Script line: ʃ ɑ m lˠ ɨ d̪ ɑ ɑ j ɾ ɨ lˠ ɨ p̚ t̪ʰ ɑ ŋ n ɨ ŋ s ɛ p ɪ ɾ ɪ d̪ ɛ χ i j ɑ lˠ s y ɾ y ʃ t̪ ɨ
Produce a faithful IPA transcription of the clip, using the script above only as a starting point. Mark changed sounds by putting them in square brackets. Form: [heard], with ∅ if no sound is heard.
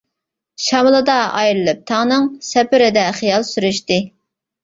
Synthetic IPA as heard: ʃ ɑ m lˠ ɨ d̪ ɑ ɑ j ɾ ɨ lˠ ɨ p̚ t̪ʰ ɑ ŋ n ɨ ŋ s ɛ p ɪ ɾ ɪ d̪ ɛ χ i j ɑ lˠ s y ɾ y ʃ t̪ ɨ